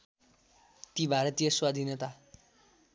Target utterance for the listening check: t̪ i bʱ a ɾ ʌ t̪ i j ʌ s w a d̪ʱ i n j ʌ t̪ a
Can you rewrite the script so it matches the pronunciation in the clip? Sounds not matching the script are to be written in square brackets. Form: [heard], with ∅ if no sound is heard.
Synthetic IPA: t̪ i bʱ a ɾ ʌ t̪ i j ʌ s w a d̪ʱ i n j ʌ t̪ a